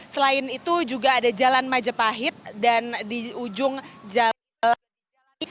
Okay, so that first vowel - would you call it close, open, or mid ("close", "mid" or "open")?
mid